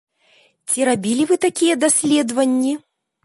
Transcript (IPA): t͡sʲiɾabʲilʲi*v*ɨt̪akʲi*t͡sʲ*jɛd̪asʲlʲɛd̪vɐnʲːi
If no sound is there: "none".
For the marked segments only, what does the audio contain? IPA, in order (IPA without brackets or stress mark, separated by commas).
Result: v, none